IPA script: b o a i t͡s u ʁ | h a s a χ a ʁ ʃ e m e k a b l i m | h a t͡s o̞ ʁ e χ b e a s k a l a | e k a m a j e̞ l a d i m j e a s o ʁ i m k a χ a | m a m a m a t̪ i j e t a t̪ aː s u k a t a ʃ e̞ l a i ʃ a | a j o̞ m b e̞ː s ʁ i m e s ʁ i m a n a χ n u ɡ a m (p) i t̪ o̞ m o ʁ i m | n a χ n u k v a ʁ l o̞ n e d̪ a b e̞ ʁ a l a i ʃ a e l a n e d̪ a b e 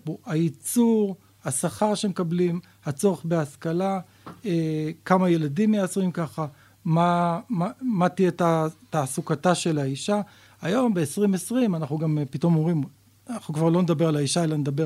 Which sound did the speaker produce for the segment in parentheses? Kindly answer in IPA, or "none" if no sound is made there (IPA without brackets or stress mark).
p